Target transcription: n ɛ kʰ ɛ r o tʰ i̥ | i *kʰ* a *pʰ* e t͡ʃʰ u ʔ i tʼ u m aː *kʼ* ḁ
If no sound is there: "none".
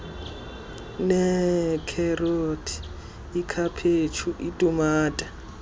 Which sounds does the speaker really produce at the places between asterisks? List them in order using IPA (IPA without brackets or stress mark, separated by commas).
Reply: kʰ, pʰ, tʼ